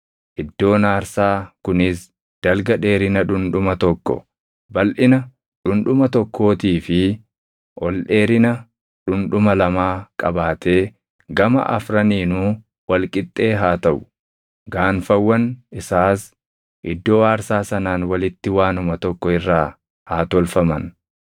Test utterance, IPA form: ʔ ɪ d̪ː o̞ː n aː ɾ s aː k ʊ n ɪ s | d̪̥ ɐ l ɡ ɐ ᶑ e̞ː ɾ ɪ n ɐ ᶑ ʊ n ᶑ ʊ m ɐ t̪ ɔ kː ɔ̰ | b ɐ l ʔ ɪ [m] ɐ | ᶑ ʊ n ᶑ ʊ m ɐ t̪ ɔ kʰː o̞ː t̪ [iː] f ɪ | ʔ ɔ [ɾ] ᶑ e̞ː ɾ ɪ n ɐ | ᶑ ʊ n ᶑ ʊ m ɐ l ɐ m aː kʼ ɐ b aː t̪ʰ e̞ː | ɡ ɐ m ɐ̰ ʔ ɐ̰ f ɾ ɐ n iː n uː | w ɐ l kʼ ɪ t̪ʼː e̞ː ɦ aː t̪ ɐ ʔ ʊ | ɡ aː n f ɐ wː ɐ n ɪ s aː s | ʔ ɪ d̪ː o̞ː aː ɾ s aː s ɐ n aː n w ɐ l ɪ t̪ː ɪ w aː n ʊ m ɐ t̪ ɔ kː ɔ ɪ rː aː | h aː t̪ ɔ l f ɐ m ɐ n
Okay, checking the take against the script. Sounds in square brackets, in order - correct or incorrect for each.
incorrect: n, correct, incorrect: l

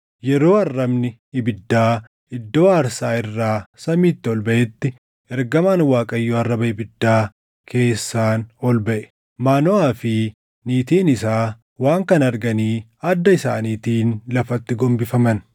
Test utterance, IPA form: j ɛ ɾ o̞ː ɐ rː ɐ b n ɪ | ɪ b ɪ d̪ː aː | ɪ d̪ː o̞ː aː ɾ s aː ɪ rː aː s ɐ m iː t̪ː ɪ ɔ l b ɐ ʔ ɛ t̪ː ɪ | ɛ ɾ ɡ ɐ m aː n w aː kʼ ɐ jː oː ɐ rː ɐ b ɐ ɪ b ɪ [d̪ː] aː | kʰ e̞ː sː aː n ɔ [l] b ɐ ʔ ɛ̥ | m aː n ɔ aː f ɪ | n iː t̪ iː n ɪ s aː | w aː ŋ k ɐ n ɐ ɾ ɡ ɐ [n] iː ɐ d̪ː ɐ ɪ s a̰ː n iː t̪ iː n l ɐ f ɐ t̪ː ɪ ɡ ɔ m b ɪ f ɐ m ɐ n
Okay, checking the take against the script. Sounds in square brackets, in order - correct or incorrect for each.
correct, correct, correct

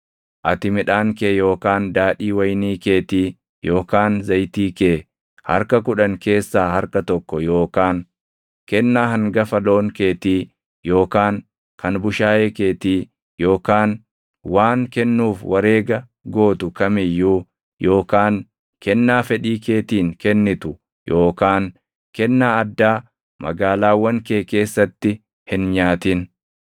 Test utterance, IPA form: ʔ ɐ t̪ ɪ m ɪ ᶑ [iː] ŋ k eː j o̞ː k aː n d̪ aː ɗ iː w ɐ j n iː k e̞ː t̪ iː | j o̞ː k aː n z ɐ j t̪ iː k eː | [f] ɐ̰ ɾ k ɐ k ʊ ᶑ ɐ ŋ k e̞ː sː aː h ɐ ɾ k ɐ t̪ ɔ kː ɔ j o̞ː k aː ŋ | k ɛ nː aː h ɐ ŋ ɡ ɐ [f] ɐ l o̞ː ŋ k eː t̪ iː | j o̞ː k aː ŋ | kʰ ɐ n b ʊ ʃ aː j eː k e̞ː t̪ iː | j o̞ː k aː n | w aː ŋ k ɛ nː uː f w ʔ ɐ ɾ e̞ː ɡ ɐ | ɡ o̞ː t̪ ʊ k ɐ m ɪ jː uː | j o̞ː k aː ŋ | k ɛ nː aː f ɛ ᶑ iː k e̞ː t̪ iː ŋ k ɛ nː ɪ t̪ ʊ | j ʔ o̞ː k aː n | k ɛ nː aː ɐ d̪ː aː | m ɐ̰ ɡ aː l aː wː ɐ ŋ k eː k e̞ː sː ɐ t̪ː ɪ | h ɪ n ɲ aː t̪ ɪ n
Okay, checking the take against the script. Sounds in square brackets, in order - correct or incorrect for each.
incorrect: aː, incorrect: h, correct

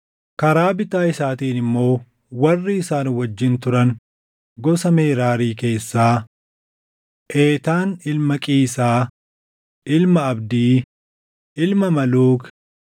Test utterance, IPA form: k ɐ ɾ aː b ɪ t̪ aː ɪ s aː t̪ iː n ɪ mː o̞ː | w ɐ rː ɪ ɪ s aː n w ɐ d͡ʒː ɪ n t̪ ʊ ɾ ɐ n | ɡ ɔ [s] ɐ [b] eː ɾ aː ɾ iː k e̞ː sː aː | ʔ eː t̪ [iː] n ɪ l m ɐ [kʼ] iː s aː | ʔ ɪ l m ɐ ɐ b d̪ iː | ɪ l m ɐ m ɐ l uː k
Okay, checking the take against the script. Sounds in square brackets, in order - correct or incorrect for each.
correct, incorrect: m, incorrect: aː, correct

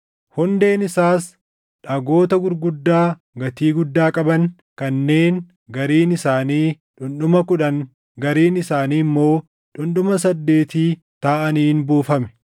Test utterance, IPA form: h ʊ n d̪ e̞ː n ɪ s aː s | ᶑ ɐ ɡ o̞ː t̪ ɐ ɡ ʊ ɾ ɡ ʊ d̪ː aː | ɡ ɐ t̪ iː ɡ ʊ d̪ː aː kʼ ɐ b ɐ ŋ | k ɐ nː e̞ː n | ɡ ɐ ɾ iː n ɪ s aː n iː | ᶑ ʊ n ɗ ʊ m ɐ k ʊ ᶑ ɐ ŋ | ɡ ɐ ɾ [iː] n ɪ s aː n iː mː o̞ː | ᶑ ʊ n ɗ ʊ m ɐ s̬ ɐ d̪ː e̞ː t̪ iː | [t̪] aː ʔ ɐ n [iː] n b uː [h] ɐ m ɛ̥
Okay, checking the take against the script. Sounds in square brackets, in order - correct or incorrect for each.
correct, correct, correct, incorrect: f

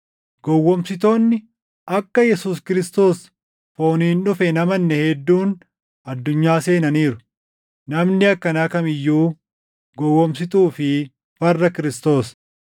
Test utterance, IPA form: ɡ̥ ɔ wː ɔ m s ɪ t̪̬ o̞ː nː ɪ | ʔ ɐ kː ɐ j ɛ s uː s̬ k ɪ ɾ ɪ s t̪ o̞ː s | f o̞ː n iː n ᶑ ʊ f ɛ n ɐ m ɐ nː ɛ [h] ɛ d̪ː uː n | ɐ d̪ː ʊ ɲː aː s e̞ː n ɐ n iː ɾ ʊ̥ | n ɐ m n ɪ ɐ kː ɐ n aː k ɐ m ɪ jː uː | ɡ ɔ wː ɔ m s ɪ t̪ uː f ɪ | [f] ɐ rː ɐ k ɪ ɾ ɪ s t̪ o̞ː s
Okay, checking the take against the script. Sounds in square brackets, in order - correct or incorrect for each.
correct, correct

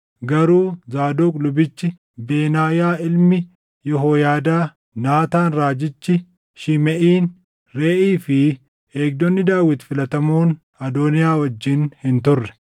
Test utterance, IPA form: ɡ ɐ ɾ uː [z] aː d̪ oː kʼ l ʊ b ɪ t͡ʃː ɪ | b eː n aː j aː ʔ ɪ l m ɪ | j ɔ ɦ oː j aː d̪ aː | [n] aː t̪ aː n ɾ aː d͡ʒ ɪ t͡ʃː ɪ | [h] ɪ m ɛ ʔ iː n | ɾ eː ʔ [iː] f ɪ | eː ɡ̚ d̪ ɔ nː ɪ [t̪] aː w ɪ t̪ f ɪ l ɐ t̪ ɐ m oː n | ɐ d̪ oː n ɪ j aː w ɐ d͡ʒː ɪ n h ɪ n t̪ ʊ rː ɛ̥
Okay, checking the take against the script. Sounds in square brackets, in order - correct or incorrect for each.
correct, correct, incorrect: ʃ, correct, incorrect: d̪

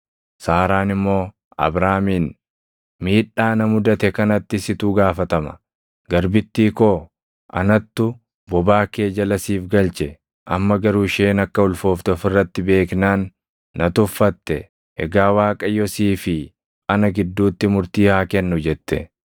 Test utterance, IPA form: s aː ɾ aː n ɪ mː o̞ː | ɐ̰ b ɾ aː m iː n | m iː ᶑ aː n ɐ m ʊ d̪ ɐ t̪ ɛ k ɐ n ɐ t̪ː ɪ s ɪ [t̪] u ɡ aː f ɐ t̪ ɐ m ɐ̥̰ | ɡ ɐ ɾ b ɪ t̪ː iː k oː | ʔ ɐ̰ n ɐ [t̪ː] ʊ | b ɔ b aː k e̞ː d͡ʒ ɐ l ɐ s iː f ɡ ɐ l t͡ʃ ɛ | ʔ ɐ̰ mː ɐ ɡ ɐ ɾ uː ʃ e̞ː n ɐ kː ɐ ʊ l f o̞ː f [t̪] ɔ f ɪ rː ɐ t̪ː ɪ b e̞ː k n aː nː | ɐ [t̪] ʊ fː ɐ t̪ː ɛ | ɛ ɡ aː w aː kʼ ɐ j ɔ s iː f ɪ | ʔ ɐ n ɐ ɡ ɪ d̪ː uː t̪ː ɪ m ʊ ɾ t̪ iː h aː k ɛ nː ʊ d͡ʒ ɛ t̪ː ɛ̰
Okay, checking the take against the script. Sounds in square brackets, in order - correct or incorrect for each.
correct, correct, correct, correct

